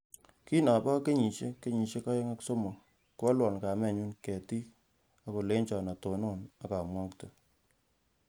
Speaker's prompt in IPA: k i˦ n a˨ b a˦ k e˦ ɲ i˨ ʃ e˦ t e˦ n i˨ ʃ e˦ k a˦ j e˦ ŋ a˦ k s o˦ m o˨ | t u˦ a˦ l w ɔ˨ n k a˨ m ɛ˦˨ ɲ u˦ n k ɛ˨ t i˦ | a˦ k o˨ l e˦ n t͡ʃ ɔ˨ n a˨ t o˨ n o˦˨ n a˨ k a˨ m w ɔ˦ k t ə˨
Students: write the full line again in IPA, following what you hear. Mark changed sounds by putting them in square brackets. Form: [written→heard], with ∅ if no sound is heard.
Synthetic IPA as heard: k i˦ n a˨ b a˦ k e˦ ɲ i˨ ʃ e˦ [t→k] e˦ [n→ɲ] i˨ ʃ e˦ k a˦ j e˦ ŋ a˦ k s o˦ m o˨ | [t→k] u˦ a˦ l w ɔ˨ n k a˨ m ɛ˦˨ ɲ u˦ n k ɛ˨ t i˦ | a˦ k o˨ l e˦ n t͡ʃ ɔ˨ n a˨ t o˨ n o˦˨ n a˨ k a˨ m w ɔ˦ k t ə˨

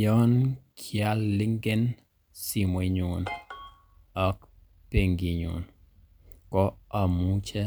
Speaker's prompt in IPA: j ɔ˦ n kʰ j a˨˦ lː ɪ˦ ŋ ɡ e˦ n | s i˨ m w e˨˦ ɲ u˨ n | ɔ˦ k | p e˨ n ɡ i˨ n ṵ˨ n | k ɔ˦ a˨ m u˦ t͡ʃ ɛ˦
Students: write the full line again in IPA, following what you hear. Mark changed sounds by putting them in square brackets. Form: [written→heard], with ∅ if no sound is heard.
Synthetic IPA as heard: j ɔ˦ n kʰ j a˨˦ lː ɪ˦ ŋ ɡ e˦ n | s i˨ m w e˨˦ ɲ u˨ n | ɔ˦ k | p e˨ [n→ŋ] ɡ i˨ [n→ɲ] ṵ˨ n | k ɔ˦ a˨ m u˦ t͡ʃ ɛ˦

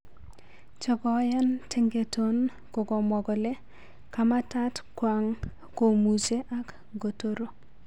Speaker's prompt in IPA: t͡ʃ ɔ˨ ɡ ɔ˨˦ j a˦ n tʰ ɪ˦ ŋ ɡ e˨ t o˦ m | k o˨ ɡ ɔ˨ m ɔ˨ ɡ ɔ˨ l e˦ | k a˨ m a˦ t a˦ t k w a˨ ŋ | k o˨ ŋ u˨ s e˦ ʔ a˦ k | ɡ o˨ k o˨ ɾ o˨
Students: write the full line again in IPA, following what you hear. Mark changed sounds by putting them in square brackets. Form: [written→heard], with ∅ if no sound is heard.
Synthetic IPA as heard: t͡ʃ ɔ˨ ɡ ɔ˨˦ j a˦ n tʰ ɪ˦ ŋ ɡ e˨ t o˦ [m→n] | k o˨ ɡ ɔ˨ m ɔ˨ ɡ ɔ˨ l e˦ | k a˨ m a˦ t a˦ t k w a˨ ŋ | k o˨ [ŋ→m] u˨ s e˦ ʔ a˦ k | ɡ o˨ [k→t] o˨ ɾ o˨

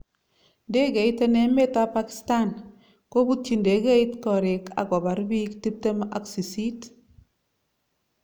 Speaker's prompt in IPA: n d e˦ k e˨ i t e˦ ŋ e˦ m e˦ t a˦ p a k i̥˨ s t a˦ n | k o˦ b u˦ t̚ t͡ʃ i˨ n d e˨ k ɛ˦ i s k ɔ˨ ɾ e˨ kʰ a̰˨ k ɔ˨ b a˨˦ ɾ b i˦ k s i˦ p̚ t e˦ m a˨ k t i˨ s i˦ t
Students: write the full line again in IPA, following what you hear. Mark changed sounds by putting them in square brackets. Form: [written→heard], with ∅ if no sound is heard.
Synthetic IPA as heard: n d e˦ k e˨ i t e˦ [ŋ→n] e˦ m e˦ t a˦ p a k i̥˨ s t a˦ n | k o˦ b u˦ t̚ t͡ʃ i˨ n d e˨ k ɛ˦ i [s→t] k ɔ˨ ɾ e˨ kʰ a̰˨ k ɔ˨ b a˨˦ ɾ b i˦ k [s→t] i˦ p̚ t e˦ m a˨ k [t→s] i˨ s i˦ t

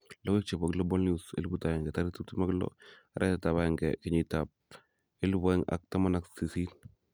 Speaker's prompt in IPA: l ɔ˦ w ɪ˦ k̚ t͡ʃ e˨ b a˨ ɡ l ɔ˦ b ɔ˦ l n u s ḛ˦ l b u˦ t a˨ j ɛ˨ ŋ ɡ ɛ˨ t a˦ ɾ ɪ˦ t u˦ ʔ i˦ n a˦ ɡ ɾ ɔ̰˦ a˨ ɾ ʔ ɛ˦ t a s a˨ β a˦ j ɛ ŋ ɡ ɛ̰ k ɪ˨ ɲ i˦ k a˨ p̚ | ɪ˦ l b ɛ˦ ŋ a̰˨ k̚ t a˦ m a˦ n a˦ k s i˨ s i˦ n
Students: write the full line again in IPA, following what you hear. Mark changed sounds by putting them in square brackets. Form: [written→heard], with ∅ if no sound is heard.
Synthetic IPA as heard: l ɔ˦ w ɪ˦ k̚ t͡ʃ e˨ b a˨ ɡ l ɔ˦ b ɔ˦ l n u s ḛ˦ l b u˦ t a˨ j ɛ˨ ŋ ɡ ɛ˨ t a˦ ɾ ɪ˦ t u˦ [ʔ→t] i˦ [n→m] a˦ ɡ [ɾ→l] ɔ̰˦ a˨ ɾ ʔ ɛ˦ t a [s→t] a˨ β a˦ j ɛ ŋ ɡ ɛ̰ k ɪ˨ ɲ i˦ [k→t] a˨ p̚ | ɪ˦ l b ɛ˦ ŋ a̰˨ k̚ t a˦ m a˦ n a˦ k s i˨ s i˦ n

